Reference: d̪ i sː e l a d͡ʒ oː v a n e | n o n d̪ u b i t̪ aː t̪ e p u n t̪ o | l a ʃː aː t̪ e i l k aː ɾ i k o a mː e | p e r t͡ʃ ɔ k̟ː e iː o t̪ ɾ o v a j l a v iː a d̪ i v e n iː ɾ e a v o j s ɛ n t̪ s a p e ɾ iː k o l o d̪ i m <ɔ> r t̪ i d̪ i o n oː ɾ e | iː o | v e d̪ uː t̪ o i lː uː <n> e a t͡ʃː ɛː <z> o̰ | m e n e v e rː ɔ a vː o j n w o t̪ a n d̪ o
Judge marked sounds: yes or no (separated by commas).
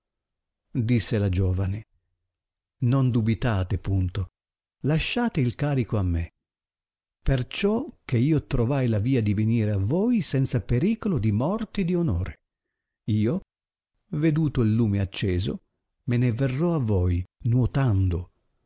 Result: yes, no, yes